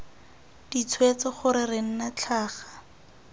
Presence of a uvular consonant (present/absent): present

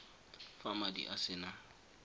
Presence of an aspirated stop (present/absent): absent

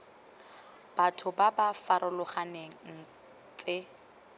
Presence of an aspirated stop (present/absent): present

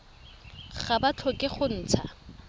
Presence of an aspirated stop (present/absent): present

